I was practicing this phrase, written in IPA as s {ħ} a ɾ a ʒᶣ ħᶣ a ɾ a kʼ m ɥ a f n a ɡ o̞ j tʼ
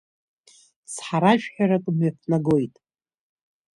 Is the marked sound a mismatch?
no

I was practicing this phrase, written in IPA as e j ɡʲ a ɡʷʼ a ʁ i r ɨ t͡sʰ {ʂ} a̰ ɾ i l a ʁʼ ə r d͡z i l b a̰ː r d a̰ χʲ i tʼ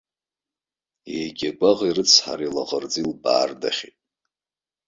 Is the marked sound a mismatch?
yes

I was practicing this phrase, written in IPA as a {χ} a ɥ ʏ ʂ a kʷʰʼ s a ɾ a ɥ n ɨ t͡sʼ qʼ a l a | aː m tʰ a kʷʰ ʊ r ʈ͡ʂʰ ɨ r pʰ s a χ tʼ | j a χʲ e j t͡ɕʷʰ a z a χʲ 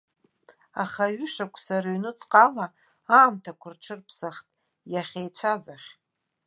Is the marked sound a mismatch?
no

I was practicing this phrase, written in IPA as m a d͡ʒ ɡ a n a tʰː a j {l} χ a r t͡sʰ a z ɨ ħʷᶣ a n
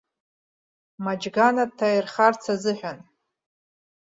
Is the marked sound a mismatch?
yes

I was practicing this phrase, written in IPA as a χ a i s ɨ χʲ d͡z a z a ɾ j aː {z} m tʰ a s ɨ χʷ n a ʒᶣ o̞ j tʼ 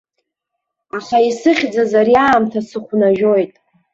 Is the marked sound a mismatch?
yes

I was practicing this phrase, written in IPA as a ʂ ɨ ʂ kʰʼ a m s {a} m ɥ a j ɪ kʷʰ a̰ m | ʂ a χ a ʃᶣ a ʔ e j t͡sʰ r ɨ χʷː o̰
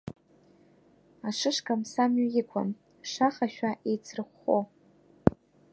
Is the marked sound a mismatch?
no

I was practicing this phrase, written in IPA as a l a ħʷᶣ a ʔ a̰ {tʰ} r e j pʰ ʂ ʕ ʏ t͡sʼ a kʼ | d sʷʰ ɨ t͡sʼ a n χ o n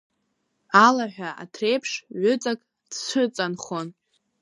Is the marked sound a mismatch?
no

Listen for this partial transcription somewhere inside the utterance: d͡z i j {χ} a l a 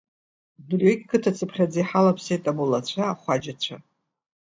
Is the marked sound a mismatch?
yes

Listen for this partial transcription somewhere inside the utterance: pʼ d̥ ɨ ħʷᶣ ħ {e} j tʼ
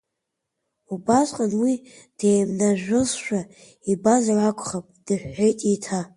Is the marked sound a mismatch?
no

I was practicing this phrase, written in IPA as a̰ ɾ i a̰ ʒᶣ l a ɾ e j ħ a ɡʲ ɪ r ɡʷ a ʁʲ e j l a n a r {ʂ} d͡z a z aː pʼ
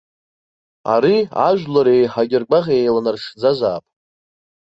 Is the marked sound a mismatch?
no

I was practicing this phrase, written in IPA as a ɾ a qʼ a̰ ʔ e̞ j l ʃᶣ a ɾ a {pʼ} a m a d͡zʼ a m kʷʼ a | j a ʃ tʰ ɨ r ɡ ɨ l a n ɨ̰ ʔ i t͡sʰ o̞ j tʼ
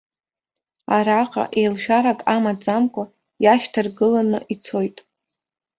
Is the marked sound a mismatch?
yes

